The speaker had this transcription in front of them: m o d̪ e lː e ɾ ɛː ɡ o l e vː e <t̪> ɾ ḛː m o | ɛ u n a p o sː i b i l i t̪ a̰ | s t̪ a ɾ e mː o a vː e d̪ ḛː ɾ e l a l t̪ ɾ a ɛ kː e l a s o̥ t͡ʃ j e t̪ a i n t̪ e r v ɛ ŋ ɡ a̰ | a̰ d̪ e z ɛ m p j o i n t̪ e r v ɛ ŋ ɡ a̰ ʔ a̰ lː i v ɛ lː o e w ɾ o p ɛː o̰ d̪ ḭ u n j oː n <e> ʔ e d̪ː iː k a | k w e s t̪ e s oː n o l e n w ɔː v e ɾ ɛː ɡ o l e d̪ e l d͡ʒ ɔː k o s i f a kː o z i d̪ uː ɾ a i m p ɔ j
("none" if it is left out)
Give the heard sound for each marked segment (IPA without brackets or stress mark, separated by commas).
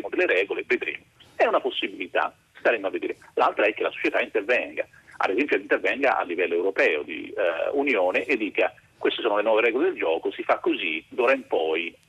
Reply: d̪, e